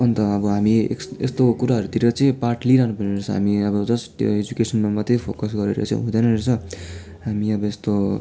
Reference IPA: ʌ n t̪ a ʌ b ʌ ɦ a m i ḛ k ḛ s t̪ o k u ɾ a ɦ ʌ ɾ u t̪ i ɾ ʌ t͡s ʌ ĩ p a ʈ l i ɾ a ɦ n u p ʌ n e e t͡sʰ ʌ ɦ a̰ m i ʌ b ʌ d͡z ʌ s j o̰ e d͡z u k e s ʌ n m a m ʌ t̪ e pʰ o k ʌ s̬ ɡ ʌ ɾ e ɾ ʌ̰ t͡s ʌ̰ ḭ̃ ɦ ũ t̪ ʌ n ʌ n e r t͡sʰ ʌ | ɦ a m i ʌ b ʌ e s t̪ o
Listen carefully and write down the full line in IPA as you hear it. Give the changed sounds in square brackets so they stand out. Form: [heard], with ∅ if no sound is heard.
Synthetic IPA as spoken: ʌ n t̪ [ʌ] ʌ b ʌ ɦ a m i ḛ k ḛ s t̪ o k u ɾ a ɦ ʌ ɾ u t̪ i ɾ ʌ t͡s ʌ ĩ p a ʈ l i ɾ a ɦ n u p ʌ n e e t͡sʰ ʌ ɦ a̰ m i ʌ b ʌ d͡z ʌ s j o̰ e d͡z u k e s ʌ n m a m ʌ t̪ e pʰ o k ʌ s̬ ɡ ʌ ɾ e ɾ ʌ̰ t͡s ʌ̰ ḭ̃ ɦ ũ [d̪] ʌ n ʌ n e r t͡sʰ ʌ | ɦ a m i ʌ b ʌ e s t̪ o